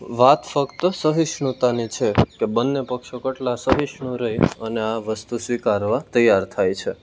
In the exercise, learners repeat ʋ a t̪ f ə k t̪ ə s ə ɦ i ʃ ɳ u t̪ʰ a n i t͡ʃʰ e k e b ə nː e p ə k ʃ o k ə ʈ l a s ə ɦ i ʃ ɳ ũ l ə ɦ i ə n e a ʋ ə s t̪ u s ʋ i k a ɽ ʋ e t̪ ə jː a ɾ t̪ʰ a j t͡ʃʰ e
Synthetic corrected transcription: ʋ a t̪ f ə k t̪ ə s ə ɦ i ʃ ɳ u t̪ a n i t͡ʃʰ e k e b ə nː e p ə k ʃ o k ə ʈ l a s ə ɦ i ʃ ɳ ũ ɾ ə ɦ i ə n e a ʋ ə s t̪ u s ʋ i k a ɾ ʋ a t̪ ə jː a ɾ t̪ʰ a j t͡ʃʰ e